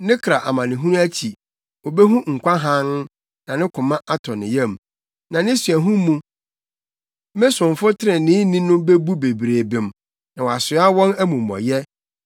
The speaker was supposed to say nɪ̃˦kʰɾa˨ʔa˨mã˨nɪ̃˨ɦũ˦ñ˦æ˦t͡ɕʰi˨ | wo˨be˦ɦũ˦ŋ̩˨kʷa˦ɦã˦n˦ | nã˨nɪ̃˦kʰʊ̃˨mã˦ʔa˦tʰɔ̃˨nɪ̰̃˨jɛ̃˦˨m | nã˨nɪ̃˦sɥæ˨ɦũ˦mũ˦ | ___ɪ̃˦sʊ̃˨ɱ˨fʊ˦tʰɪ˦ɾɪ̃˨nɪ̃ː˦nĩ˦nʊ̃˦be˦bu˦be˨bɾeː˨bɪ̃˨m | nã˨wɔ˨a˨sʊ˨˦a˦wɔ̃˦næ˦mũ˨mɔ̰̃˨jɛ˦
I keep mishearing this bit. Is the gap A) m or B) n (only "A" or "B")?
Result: A